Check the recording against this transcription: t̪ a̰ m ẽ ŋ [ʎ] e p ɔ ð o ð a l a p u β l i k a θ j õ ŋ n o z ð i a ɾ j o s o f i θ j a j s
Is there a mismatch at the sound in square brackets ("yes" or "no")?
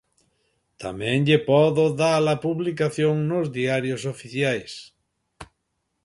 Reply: no